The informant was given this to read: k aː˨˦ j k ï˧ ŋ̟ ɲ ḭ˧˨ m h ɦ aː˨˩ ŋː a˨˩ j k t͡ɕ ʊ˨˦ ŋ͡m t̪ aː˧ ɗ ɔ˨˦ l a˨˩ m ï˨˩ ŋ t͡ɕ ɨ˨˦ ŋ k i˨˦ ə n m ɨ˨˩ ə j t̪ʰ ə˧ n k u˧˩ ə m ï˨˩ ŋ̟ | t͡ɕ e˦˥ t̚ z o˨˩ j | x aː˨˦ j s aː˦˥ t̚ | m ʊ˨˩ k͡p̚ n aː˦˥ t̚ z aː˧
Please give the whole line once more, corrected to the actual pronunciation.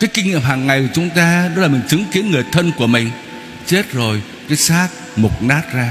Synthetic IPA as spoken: k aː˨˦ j k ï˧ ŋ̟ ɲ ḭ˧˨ m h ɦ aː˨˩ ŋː a˨˩ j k t͡ɕ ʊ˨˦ ŋ͡m t̪ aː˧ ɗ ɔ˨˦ l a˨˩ m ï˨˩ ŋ t͡ɕ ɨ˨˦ ŋ k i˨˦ ə n ŋ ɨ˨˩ ə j t̪ʰ ə˧ n k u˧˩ ə m ï˨˩ ŋ̟ | t͡ɕ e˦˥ t̚ z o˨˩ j | k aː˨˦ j s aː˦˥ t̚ | m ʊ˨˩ k͡p̚ n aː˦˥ t̚ z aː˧